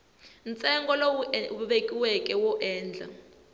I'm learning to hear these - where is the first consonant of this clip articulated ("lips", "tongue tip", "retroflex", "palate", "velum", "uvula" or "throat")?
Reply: tongue tip